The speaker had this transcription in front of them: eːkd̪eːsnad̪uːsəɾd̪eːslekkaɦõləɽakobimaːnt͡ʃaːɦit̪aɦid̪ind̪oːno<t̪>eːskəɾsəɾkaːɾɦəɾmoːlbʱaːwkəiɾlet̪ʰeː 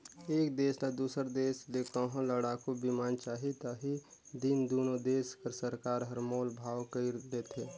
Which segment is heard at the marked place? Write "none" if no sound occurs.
d̪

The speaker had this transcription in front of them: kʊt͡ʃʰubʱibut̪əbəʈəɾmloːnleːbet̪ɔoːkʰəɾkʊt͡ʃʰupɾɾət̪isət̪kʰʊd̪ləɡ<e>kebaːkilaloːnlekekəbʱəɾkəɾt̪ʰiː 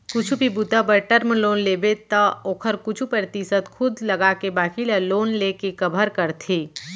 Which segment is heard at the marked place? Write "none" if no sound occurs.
a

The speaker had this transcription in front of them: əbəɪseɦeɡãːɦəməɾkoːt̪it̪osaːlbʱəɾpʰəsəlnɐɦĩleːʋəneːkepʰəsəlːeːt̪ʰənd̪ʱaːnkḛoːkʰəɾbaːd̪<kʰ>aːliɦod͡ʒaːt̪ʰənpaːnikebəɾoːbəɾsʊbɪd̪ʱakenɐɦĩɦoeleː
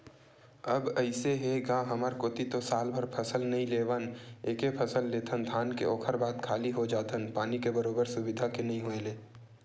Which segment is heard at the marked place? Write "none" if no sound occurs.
kʰ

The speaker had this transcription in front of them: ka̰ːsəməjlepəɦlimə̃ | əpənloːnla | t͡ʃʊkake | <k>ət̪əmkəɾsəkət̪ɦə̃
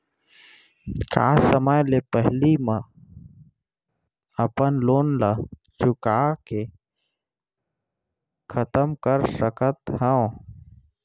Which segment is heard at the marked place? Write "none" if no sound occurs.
kʰ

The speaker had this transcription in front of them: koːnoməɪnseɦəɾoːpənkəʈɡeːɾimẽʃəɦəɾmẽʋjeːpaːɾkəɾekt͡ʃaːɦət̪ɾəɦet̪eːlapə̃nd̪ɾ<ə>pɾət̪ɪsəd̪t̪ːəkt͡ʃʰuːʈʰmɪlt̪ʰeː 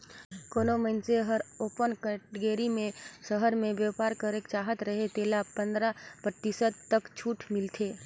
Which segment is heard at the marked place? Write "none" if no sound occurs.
a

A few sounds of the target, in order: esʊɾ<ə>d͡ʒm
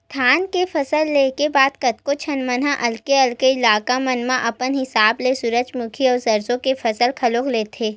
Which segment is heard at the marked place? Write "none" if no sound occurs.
ə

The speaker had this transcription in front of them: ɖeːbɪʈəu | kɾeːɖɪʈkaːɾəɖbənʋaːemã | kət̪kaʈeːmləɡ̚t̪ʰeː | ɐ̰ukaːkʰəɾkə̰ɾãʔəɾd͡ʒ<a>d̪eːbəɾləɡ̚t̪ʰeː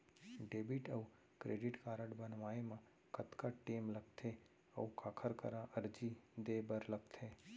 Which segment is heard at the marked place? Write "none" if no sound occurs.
i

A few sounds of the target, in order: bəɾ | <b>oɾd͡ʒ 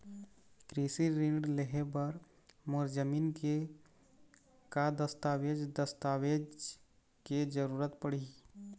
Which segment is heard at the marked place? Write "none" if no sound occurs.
m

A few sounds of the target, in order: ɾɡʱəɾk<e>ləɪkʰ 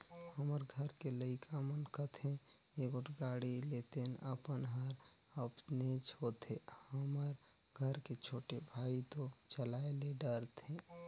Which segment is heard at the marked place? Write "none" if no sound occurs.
e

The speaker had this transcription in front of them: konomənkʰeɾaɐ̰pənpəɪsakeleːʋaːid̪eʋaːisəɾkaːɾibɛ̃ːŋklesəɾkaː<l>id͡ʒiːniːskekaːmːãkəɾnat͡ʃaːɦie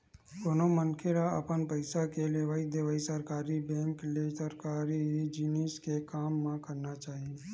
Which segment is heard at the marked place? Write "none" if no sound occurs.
ɾ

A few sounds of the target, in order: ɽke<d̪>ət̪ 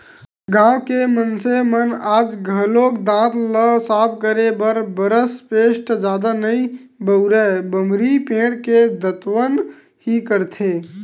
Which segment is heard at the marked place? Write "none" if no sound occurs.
d̪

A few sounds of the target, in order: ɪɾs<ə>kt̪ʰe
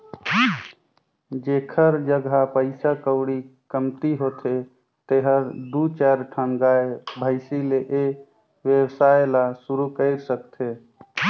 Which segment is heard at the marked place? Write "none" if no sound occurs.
ə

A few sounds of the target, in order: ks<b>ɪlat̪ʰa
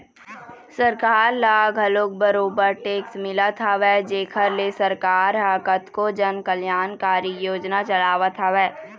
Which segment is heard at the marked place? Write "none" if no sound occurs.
m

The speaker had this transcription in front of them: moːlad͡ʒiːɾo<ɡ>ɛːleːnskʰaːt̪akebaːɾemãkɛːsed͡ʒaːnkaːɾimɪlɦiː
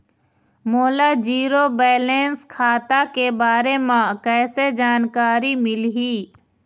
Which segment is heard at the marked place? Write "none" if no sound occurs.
b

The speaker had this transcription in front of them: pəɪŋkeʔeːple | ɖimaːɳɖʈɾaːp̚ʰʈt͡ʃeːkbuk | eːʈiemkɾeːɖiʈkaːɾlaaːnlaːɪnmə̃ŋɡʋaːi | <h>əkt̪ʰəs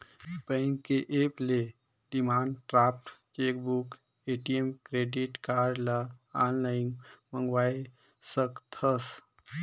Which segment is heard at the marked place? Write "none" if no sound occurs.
s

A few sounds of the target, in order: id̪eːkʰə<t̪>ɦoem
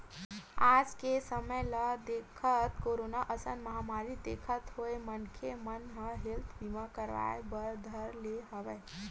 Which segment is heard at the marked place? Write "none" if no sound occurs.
t̪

